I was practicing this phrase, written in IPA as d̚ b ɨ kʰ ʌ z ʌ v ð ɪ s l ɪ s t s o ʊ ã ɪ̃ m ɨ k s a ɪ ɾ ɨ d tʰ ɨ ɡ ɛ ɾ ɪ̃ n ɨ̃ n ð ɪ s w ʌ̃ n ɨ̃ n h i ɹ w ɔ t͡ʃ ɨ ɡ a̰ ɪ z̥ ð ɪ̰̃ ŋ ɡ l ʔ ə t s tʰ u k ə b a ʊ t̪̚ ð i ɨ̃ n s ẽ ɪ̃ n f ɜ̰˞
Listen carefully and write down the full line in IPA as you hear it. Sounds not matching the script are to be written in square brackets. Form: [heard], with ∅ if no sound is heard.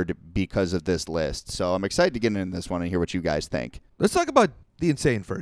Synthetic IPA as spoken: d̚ b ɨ kʰ ʌ z ʌ v ð ɪ s l ɪ s t s o ʊ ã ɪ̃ m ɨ k s a ɪ ɾ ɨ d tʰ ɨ ɡ ɛ ɾ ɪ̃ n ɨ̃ n ð ɪ s w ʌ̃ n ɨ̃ n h i ɹ w [ʌ] t͡ʃ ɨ ɡ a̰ ɪ z̥ [θ] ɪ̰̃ ŋ [k] l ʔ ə t s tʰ [ɔ] k ə b a ʊ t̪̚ ð i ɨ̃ n s ẽ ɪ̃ n f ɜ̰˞